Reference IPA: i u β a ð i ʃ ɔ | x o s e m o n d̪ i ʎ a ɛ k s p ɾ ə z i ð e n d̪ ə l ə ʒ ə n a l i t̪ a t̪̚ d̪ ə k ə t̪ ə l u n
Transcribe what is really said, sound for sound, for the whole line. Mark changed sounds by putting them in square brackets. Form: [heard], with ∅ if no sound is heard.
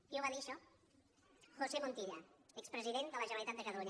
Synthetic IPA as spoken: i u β a ð i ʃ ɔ | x o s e m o n [t̪] i ʎ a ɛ k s p ɾ ə z i ð e n d̪ ə l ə ʒ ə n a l i t̪ a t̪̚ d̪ ə k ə t̪ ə l u [ɲ]